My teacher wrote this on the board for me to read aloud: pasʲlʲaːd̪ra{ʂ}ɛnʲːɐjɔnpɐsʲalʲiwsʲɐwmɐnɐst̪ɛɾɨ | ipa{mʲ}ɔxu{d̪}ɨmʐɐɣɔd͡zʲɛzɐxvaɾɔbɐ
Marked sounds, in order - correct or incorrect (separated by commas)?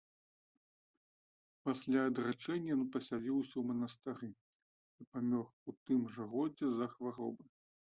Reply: incorrect, correct, incorrect